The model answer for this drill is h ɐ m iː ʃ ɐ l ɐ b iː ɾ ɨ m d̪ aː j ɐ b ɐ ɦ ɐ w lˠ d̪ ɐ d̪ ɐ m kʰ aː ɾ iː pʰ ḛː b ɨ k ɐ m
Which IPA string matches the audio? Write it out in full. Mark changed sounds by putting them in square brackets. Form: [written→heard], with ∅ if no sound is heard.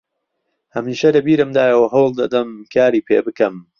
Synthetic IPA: h ɐ m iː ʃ ɐ l ɐ b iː ɾ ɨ m d̪ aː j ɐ [b→w] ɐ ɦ ɐ w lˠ d̪ ɐ d̪ ɐ m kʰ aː ɾ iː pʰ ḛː b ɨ k ɐ m